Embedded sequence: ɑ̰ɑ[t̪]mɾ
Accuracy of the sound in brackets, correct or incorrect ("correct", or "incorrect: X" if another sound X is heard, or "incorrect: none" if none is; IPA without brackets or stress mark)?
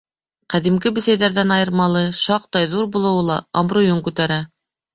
incorrect: none